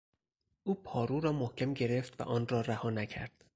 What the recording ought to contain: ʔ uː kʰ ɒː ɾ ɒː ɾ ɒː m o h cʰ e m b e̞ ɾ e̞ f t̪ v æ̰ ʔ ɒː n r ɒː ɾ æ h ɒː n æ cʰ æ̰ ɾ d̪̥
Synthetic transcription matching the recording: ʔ uː pʰ ɒː ɾ uː ɾ ɒː m o h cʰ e m ɟ e̞ ɾ e̞ f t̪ v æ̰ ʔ ɒː n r ɒː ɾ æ h ɒː n æ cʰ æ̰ ɾ d̪̥